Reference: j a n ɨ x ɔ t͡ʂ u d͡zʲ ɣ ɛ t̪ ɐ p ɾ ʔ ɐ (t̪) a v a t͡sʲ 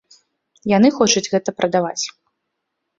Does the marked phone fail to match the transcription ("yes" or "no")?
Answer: yes